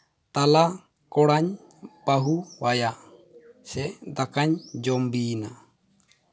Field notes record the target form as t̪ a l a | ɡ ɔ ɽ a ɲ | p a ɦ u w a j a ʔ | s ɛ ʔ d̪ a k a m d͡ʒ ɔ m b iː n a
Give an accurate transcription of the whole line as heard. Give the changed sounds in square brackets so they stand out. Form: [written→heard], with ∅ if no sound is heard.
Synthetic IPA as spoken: t̪ a l a | [ɡ→k] ɔ ɽ a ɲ | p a ɦ u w a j a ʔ | s ɛ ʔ d̪ a k a [m→ɲ] d͡ʒ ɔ m b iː n a